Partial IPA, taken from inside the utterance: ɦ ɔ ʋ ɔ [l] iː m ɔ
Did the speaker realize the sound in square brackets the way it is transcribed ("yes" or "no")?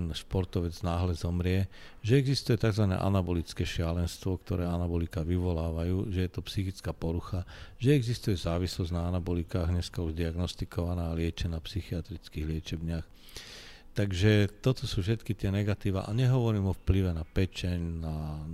no